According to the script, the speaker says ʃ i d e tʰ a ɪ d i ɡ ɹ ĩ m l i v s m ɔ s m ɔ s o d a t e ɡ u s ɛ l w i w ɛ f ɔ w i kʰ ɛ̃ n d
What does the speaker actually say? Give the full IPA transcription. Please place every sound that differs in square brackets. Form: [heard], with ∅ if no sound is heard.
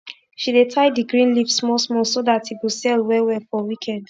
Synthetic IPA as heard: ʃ i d e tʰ a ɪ d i ɡ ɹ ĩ [n] l i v s m ɔ s m ɔ s o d a t [i] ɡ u s ɛ l w [ɛ] w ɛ f ɔ w i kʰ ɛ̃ n d

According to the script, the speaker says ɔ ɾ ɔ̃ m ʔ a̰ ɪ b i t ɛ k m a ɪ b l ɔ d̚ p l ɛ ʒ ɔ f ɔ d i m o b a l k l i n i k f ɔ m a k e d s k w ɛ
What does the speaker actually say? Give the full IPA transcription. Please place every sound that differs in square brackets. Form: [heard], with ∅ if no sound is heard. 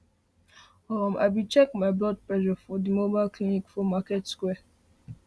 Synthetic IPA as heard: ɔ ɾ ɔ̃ m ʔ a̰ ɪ b i [t͡ʃ] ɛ k m a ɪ b l ɔ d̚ p l ɛ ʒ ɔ f ɔ d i m o b a l k l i n i k f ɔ m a k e [t] s k w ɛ

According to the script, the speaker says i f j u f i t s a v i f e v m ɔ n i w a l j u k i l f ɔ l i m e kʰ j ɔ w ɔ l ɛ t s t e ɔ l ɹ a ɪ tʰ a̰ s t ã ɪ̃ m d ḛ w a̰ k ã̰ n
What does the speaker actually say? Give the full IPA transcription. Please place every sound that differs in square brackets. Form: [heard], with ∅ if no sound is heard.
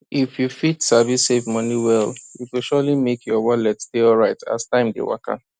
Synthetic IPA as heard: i f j u f i t s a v i [s] e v m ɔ n i w [ɛ] l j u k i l [ʃ] ɔ l i m e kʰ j ɔ w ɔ l ɛ t s t e ɔ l ɹ a ɪ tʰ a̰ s t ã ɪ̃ m d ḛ w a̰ k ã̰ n

